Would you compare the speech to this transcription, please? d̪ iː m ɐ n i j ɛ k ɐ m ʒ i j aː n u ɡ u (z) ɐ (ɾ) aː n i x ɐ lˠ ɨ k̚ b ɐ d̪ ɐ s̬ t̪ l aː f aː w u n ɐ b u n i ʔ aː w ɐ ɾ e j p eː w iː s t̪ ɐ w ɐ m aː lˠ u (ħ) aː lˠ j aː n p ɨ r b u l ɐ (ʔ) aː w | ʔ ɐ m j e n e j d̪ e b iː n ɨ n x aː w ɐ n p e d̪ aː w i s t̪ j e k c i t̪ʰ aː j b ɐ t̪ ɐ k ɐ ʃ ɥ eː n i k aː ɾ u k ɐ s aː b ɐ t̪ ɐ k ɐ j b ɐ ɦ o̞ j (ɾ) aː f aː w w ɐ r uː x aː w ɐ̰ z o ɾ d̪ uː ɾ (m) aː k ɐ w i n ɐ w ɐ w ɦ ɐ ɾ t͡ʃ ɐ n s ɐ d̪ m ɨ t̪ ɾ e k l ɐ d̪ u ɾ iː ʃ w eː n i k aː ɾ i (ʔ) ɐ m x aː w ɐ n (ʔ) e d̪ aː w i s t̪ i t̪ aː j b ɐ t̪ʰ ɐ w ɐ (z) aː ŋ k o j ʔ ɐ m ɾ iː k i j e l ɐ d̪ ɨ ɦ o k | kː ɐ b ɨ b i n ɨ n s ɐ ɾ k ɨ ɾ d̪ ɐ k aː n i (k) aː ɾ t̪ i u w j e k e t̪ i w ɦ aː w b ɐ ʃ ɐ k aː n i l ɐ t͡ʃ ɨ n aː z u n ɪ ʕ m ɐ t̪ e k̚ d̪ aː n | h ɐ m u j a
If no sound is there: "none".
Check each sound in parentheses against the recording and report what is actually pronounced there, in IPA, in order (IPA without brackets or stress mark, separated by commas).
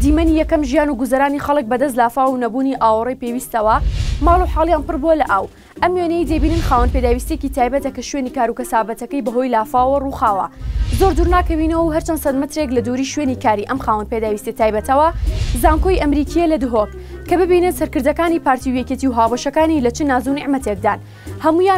z, ɾ, ħ, ʔ, l, n, ʔ, p, z, p